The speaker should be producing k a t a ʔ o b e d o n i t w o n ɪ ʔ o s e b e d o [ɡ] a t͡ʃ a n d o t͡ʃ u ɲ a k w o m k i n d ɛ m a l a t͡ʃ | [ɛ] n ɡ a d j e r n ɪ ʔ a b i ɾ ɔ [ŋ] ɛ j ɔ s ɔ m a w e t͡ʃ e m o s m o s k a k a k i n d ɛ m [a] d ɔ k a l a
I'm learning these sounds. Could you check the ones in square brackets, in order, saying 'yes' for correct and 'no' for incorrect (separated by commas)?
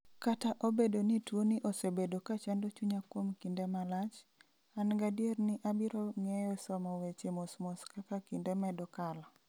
no, no, yes, no